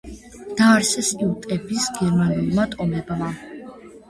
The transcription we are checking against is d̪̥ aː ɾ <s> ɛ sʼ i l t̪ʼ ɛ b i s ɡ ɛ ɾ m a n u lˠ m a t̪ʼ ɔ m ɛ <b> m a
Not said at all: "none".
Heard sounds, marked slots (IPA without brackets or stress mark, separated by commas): s, b